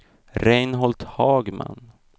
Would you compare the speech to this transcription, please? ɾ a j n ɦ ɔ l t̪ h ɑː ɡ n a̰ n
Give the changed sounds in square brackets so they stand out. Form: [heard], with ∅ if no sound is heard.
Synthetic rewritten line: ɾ [ɛ] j n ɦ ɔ l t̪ h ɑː ɡ [m] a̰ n